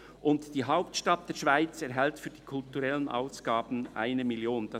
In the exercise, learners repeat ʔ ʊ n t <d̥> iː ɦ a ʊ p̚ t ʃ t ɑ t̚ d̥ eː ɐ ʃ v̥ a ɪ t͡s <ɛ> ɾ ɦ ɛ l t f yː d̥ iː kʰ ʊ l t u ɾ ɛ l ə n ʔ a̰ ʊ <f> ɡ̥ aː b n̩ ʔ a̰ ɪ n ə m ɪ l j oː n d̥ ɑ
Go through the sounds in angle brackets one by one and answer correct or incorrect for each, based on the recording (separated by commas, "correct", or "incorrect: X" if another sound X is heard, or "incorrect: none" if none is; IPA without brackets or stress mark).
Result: correct, correct, incorrect: s